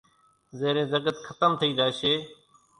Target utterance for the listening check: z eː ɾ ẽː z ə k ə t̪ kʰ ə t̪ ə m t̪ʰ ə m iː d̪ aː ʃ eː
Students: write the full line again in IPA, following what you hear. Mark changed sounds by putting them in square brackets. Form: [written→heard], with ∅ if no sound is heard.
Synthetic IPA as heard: z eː ɾ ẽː z ə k ə t̪ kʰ ə t̪ ə m t̪ʰ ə [m→∅] iː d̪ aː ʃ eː

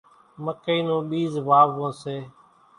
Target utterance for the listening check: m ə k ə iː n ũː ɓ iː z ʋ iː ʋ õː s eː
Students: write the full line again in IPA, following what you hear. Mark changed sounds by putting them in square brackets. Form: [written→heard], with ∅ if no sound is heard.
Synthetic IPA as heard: m ə k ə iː n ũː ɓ iː z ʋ [iː→aː] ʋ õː s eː

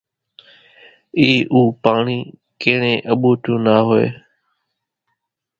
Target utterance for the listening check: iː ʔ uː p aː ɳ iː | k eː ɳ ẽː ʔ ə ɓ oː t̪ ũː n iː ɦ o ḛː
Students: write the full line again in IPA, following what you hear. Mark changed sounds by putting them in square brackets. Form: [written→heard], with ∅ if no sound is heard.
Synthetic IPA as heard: iː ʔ uː p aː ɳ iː | k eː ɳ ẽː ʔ ə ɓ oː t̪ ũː n [iː→aː] ɦ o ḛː

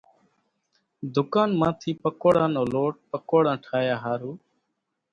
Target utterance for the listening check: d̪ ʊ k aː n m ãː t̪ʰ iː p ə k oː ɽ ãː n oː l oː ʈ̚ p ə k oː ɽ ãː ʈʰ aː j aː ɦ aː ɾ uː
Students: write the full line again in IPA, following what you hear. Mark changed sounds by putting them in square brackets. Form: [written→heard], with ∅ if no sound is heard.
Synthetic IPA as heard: d̪ ʊ k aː n m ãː t̪ʰ iː p ə k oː ɽ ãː n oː l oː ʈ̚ p ə k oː ɽ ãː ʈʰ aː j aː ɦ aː ɾ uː

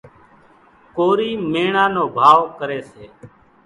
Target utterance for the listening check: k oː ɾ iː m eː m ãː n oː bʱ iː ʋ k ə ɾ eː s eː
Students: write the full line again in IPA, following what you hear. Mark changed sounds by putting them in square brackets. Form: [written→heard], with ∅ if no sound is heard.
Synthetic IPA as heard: k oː ɾ iː m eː [m→ɳ] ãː n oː bʱ [iː→aː] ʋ k ə ɾ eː s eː

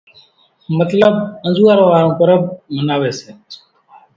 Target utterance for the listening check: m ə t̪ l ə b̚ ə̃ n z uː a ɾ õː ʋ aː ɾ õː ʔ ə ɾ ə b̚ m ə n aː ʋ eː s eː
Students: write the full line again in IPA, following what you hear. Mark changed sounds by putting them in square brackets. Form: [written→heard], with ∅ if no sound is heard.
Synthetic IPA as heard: m ə t̪ l ə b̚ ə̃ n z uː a ɾ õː ʋ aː ɾ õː [ʔ→k] ə ɾ ə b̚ m ə n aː ʋ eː s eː

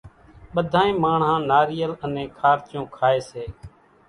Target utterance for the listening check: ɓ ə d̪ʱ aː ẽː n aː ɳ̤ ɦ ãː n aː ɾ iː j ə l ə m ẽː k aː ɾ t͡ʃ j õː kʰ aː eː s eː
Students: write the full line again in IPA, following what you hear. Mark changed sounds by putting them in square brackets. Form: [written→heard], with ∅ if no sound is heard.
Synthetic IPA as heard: ɓ ə d̪ʱ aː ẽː [n→m] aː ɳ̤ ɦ ãː n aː ɾ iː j ə l ə [m→n] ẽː [k→kʰ] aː ɾ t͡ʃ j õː kʰ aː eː s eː

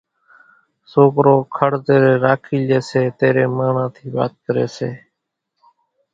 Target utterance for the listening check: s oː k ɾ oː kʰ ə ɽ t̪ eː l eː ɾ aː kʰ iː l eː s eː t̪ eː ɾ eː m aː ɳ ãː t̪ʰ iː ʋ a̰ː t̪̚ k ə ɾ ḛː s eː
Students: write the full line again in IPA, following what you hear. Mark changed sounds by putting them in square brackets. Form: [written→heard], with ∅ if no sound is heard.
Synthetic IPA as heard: s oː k ɾ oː kʰ ə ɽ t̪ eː [l→ɾ] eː ɾ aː kʰ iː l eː s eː t̪ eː ɾ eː m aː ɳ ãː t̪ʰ iː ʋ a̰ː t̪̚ k ə ɾ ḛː s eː

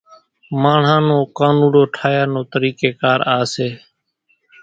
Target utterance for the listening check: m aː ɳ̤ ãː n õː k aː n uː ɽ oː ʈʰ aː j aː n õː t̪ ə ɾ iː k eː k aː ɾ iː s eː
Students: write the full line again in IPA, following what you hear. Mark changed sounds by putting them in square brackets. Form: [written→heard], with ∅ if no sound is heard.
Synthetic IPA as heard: m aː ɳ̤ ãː n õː k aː n uː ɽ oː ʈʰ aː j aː n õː t̪ ə ɾ iː k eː k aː ɾ [iː→aː] s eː

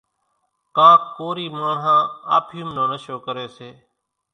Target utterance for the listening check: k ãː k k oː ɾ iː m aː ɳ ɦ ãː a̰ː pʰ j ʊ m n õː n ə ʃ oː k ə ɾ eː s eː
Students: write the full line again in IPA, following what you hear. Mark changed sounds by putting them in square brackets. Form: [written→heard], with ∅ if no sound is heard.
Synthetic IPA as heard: k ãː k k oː ɾ iː m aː ɳ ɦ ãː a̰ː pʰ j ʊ m n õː n ə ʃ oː k ə ɾ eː s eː

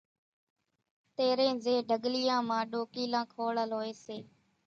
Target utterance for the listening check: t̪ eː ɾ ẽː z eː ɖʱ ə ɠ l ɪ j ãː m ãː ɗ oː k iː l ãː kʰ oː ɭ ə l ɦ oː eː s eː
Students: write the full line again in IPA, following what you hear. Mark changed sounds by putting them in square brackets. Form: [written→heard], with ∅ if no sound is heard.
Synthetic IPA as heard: t̪ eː ɾ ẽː z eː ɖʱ ə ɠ l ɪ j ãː m ãː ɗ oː k iː l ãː kʰ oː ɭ ə l ɦ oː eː s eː

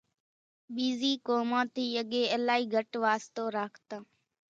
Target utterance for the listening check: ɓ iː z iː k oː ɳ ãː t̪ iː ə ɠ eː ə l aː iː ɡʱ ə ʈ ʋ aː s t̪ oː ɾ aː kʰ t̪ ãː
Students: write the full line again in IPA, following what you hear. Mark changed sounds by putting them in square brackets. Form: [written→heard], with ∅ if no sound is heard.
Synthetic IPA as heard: ɓ iː z iː k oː [ɳ→m] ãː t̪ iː ə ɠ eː ə l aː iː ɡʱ ə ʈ ʋ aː s t̪ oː ɾ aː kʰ t̪ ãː

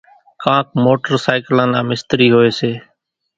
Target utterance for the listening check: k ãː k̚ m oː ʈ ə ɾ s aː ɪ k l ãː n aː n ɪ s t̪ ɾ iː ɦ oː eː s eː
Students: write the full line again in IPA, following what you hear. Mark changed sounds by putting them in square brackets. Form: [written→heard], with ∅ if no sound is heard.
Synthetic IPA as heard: k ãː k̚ m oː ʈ ə ɾ s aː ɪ k l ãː n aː [n→m] ɪ s t̪ ɾ iː ɦ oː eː s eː

